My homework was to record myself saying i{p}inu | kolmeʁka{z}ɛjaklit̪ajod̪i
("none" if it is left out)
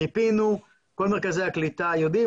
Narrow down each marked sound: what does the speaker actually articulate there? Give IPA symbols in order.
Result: p, z

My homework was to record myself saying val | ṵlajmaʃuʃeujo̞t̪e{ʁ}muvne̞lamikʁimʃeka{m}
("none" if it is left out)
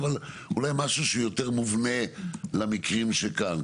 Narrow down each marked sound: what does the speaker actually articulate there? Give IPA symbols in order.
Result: ʁ, n

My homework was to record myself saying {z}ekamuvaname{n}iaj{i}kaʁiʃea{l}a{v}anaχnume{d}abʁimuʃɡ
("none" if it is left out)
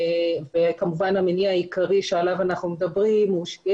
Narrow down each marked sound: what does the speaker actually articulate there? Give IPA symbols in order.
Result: v, n, i, l, v, d

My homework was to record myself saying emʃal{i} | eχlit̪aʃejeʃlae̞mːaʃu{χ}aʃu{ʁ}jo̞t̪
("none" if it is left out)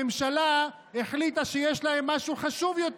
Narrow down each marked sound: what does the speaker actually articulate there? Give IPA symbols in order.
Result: a, χ, v

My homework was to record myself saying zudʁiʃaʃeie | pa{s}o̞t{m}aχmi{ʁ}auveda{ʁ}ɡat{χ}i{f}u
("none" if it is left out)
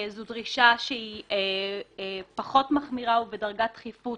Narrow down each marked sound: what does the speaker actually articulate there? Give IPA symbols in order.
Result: χ, m, ʁ, ʁ, χ, f

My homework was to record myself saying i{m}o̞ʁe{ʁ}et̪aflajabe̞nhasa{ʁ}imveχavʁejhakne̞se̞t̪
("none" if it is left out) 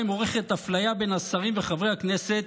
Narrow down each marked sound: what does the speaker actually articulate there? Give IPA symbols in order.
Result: m, χ, ʁ

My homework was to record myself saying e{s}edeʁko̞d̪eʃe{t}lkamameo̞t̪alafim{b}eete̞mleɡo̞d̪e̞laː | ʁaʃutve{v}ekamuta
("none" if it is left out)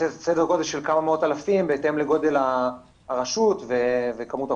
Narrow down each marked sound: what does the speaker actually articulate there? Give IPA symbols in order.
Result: s, none, b, v

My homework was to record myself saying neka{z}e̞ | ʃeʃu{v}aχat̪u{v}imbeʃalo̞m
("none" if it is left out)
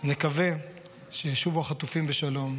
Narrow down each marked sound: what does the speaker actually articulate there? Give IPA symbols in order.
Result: v, v, f

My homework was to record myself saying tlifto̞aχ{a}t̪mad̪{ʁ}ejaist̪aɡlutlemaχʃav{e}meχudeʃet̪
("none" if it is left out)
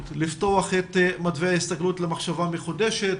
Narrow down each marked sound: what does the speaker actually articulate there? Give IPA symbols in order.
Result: e, v, a

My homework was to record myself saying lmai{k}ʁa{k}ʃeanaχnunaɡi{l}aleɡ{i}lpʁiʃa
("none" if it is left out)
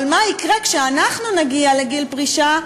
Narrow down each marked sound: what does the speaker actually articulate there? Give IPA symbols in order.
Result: k, k, none, i

